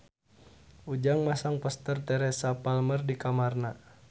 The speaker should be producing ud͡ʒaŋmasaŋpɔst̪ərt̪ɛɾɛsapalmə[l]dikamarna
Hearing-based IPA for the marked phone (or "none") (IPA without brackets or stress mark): r